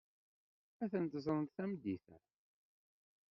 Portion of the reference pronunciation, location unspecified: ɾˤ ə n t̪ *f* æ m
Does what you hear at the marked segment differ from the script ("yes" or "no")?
yes